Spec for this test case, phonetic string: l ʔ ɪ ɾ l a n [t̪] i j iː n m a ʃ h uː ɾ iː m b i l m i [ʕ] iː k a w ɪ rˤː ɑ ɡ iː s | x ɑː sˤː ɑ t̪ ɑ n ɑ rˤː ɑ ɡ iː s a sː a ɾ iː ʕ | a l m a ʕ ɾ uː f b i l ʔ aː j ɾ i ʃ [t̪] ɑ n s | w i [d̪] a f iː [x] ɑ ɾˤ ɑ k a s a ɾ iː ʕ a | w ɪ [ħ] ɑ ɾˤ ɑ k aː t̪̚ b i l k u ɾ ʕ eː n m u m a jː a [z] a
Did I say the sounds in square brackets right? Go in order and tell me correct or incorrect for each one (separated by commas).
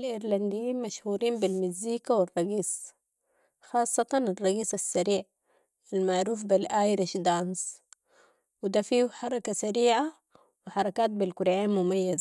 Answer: incorrect, incorrect, incorrect, correct, incorrect, correct, correct